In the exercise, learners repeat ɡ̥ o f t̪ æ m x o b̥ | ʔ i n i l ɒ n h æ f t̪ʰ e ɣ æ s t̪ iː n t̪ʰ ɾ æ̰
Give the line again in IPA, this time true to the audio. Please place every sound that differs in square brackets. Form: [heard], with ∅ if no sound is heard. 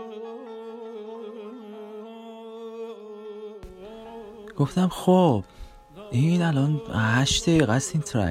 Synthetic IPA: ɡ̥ o f t̪ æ m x o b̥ | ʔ i n [æ] l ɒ n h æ [ʃ] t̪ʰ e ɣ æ s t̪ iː n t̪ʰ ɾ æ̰